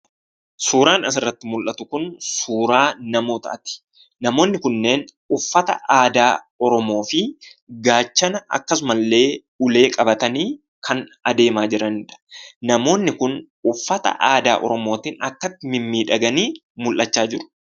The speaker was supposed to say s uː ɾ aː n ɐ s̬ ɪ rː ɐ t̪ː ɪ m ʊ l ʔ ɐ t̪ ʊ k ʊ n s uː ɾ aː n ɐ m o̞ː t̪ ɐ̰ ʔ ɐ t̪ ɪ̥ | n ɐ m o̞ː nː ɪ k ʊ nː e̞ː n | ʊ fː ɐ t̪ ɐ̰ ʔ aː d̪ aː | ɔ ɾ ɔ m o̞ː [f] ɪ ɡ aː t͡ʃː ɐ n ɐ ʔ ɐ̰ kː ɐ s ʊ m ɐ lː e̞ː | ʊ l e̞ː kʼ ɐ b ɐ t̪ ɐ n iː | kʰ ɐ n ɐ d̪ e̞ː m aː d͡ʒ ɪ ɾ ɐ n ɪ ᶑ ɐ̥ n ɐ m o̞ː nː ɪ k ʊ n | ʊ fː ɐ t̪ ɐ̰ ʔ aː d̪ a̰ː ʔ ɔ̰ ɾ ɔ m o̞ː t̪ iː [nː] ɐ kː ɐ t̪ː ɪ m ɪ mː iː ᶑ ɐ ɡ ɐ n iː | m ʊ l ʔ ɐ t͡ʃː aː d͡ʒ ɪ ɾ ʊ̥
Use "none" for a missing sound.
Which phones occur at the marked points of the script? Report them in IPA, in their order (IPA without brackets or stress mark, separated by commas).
f, n